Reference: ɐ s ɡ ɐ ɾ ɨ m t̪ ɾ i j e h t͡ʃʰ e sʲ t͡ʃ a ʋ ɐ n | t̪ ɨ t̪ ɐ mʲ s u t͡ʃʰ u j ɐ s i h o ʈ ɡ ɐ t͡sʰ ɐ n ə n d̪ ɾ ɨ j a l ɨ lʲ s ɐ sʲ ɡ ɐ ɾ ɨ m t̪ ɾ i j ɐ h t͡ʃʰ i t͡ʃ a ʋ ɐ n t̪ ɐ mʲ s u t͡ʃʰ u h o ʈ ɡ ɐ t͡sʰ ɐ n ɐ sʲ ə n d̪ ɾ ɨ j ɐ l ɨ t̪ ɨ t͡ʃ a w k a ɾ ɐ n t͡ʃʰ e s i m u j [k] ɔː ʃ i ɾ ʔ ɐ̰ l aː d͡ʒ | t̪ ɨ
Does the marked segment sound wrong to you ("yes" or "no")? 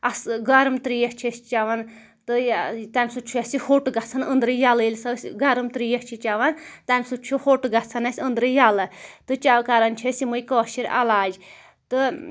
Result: no